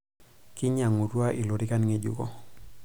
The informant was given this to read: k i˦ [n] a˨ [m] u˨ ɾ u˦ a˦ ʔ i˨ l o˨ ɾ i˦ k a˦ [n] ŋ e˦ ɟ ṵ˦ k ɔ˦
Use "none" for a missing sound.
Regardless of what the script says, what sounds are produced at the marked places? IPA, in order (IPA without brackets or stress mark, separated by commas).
ɲ, ŋ, n